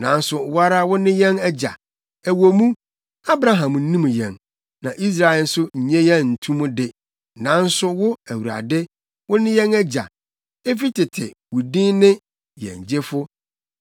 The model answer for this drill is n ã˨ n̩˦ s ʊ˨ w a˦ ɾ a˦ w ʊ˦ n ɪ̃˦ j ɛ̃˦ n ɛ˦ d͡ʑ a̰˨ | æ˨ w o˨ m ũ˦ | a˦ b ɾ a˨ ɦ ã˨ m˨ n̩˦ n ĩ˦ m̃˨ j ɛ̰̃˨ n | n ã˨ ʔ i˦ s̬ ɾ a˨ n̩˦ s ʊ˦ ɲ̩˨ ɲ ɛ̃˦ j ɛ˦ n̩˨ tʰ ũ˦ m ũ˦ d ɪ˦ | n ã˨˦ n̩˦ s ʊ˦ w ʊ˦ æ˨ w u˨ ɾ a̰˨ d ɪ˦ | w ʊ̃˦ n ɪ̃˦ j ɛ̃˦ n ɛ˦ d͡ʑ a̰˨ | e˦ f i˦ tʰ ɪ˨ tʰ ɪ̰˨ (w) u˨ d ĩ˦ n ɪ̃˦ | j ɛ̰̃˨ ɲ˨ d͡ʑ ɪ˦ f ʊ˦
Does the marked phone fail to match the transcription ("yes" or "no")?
no